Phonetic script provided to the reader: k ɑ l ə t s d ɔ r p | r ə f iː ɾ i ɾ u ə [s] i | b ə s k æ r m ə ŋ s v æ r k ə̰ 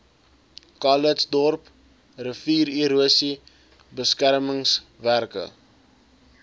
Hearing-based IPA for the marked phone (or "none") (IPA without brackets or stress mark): s